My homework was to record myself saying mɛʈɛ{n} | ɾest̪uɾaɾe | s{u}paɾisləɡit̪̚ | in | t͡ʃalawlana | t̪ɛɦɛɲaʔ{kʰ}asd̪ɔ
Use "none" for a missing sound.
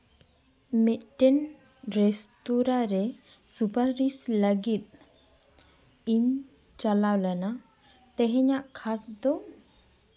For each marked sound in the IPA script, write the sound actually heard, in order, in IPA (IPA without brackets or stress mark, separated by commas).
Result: n, u, kʰ